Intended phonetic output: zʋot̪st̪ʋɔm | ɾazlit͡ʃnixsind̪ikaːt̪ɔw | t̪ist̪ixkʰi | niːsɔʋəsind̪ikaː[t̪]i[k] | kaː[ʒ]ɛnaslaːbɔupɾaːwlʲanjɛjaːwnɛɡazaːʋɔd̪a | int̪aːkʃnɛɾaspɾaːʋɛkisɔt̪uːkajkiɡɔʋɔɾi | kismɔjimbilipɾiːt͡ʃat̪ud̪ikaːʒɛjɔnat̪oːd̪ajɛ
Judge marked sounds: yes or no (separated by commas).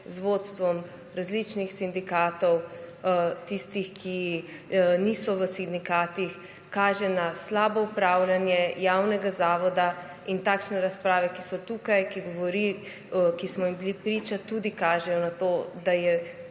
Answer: yes, no, yes